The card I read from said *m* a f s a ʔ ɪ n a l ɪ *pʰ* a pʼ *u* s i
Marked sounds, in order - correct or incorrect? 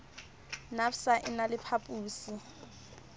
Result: incorrect, correct, incorrect

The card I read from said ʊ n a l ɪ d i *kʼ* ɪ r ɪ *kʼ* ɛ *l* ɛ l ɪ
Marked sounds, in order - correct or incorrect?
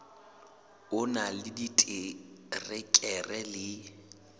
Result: incorrect, correct, incorrect

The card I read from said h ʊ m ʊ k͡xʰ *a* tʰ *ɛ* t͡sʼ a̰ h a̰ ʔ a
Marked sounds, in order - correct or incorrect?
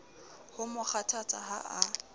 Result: correct, incorrect

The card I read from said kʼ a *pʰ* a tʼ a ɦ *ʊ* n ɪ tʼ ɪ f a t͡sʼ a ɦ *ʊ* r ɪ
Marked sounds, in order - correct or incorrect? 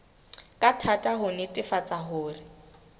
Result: incorrect, correct, incorrect

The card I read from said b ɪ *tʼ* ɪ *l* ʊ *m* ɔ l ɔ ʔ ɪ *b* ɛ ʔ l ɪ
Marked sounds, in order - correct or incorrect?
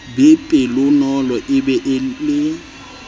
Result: incorrect, correct, incorrect, correct

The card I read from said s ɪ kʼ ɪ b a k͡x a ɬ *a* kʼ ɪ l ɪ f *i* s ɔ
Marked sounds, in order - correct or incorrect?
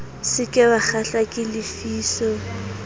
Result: correct, incorrect

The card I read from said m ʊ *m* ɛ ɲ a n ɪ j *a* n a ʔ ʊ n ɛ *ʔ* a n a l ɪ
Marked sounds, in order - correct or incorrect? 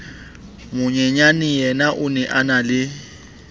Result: incorrect, incorrect, correct

